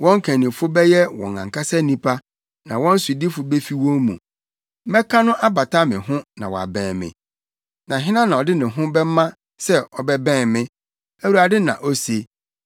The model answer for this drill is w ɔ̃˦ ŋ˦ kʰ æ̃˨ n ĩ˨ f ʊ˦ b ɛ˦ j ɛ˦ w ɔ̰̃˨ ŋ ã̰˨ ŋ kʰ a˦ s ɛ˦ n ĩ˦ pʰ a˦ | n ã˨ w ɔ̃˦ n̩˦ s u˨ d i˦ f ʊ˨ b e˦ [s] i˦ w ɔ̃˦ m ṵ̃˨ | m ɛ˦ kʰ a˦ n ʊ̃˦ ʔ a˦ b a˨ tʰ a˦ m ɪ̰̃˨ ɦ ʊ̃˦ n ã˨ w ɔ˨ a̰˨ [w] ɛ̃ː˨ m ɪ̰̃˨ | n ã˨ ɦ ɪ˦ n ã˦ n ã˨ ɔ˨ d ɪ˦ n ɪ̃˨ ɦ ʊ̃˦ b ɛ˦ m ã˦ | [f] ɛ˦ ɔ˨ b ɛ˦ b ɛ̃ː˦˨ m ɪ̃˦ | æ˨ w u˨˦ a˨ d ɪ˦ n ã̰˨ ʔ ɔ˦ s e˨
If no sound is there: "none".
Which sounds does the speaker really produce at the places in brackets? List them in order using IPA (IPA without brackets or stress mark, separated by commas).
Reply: f, b, s